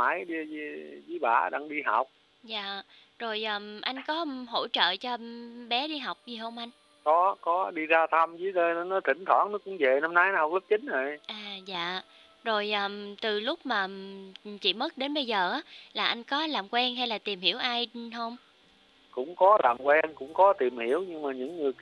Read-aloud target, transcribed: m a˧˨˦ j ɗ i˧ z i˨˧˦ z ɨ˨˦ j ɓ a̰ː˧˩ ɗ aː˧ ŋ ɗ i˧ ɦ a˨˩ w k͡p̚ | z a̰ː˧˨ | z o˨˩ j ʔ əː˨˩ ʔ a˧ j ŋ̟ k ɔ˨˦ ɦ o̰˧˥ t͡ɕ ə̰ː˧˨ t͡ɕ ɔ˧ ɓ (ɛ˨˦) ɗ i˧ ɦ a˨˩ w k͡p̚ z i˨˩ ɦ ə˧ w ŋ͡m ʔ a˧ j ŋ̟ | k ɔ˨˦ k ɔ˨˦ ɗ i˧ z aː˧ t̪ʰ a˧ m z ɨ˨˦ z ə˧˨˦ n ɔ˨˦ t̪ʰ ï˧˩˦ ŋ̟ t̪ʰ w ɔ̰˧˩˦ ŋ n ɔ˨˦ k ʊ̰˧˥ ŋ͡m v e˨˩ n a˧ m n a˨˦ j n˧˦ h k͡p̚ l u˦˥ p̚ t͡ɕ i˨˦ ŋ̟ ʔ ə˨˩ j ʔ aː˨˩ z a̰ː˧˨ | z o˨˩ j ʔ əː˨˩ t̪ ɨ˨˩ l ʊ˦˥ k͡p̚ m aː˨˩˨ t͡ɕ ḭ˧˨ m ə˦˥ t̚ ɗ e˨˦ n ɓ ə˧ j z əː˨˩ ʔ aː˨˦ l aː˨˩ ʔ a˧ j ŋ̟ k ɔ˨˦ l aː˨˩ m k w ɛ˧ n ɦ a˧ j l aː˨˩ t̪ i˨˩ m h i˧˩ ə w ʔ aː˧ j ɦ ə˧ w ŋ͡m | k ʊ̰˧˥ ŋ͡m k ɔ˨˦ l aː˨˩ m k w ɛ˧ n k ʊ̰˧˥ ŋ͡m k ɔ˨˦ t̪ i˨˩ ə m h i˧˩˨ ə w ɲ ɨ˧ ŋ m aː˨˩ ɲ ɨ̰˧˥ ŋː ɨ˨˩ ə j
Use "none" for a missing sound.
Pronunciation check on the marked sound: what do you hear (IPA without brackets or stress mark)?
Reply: ɛ˨˦